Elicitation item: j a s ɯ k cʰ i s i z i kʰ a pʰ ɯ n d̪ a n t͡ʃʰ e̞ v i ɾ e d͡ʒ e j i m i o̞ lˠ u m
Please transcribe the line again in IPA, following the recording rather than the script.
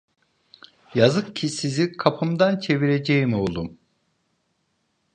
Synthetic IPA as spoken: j a z ɯ k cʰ i s i z i kʰ a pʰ ɯ m d̪ a n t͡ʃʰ e̞ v i ɾ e d͡ʒ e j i m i o̞ lˠ u m